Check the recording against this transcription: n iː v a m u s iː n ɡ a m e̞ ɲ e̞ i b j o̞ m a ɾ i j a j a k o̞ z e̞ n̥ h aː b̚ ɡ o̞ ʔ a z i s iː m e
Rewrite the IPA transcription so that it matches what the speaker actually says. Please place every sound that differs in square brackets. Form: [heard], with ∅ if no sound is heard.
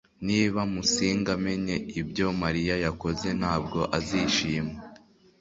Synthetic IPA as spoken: n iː [β] a m u s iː [ŋ] ɡ a m e̞ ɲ e̞ i b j o̞ m a ɾ i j a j a k o̞ z e̞ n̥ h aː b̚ ɡ o̞ ʔ a z i [ʃ] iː m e

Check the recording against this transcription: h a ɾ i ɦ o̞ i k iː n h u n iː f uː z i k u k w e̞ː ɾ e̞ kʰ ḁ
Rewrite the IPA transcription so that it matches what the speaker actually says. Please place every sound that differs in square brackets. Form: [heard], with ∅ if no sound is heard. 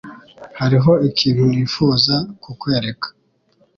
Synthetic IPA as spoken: h a ɾ i ɦ o̞ i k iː n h u n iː f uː z [a] k u k w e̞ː ɾ e̞ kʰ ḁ

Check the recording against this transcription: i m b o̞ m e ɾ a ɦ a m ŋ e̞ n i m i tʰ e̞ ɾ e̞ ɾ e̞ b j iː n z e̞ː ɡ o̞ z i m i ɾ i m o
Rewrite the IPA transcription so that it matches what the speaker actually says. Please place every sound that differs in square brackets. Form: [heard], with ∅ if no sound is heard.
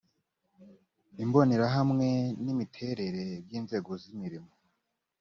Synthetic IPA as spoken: i m b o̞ [n] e ɾ a ɦ a m ŋ e̞ n i m i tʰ e̞ ɾ e̞ ɾ e̞ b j iː n z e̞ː ɡ o̞ z i m i ɾ i m o

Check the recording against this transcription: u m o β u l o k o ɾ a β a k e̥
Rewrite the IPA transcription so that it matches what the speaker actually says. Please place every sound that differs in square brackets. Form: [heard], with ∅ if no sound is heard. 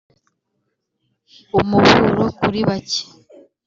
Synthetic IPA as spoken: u m [u] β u [ɾ] o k [u] ɾ [i] β a [c] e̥

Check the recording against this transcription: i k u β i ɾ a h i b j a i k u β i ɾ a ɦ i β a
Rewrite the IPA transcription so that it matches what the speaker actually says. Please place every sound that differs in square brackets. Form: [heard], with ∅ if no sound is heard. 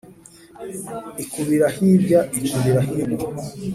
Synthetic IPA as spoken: i k u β i ɾ a h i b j a i k u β i ɾ a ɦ i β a

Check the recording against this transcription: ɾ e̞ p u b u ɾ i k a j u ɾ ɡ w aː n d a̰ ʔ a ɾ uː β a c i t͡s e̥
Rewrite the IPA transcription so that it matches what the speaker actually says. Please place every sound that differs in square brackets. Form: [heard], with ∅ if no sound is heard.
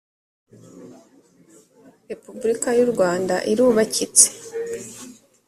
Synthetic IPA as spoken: ɾ e̞ p u b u ɾ i k a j u ɾ ɡ w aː n d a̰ ʔ [i] ɾ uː β a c i t͡s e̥

